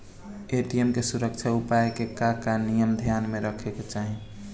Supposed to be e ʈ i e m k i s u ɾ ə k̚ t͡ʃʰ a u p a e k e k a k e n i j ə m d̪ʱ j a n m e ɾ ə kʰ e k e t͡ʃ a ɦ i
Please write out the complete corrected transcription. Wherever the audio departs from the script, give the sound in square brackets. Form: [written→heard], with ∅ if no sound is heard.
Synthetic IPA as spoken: e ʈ i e m k [i→e] s u ɾ ə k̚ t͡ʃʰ a u p a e k e k a k [e→a] n i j ə m d̪ʱ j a n m e ɾ ə kʰ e k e t͡ʃ a ɦ i